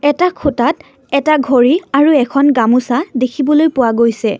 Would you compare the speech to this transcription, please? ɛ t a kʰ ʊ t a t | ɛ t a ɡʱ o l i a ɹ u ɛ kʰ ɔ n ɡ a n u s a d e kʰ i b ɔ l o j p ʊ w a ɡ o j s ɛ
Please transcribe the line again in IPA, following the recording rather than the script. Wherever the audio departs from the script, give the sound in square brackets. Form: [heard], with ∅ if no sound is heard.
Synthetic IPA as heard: ɛ t a kʰ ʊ t a t | ɛ t a ɡʱ o [ɹ] i a ɹ u ɛ kʰ ɔ n ɡ a [m] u s a d e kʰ i b ɔ l o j p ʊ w a ɡ o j s ɛ